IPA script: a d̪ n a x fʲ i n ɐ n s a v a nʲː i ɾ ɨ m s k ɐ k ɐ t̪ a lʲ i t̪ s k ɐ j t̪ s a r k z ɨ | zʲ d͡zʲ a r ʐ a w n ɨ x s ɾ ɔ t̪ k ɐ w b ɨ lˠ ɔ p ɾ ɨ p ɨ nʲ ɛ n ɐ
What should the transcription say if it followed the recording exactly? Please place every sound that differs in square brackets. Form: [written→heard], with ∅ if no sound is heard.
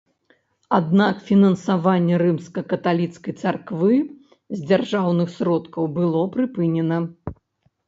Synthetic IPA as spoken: a d̪ n a [x→k] fʲ i n ɐ n s a v a nʲː [i→ɛ] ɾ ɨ m s k ɐ k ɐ t̪ a lʲ i t̪ s k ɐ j t̪ s a r k [z→v] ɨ | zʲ d͡zʲ a r ʐ a w n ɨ x s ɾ ɔ t̪ k ɐ w b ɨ lˠ ɔ p ɾ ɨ p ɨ nʲ ɛ n ɐ